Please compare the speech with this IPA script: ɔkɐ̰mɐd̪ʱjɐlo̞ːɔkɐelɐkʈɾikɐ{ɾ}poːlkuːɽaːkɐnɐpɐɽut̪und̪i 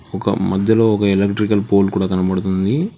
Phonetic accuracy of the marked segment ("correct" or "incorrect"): incorrect